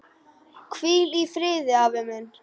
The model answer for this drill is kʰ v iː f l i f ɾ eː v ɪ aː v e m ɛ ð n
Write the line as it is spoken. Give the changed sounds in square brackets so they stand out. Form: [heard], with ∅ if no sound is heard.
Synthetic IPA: kʰ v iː [∅] l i f ɾ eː [ð] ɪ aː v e m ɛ [∅] n

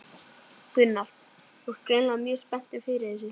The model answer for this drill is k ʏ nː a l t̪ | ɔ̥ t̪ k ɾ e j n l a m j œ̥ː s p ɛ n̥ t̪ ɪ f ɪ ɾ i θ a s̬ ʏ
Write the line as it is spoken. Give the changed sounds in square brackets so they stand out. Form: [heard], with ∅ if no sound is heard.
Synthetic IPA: k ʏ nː a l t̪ | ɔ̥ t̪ k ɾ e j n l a m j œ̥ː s p ɛ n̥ t̪ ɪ f ɪ ɾ [ɪ] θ [ɛ] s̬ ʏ

